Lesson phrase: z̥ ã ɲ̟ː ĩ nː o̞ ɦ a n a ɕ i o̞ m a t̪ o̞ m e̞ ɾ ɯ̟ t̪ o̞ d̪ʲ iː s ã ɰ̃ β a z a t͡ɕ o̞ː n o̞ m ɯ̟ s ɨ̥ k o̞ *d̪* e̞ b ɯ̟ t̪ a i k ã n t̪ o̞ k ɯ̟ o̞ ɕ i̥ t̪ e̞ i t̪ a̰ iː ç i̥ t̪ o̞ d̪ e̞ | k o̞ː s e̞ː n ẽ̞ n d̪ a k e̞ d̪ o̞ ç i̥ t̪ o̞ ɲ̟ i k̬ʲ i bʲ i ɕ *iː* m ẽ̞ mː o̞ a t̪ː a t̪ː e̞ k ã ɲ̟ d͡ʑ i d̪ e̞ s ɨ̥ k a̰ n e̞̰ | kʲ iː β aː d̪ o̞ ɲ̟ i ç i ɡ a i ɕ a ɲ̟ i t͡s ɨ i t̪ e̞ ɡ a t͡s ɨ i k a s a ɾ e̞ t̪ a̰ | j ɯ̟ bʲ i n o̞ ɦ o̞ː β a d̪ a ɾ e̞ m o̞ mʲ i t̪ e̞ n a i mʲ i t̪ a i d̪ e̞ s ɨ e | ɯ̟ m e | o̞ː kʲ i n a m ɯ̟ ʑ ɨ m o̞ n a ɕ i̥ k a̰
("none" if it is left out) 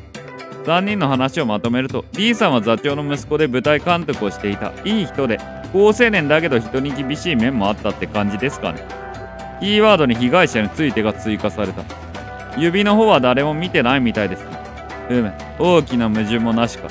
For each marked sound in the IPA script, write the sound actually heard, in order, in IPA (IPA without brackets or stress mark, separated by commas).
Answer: d̪, iː